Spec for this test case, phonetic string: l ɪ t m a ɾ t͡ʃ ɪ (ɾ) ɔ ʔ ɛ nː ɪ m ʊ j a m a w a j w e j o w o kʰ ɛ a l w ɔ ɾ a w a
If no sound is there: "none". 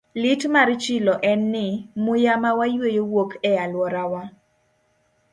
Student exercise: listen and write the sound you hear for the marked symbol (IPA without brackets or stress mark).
l